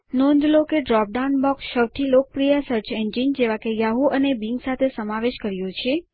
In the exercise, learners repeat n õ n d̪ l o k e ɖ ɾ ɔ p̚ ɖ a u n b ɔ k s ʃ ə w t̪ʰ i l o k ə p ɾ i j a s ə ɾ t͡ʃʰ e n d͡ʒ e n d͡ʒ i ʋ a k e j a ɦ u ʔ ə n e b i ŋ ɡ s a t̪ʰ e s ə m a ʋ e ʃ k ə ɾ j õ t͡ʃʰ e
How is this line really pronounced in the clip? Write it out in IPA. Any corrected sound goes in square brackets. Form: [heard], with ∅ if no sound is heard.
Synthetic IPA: n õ n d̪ l o k e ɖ ɾ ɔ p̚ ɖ a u n b ɔ k s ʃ ə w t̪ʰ i l o k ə p ɾ i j a s ə ɾ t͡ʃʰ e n d͡ʒ [i] n d͡ʒ [e] ʋ a k e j a ɦ u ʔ ə n e b i ŋ ɡ s a t̪ʰ e s ə m a ʋ e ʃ k ə ɾ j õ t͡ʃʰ e